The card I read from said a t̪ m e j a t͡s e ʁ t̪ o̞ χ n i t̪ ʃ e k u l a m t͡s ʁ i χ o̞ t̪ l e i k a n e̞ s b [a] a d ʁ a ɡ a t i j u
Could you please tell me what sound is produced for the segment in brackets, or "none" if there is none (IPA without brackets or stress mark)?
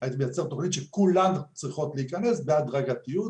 e